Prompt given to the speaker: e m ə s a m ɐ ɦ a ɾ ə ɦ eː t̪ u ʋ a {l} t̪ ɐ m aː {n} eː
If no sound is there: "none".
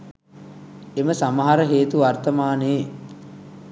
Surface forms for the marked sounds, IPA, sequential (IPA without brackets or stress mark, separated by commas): r, n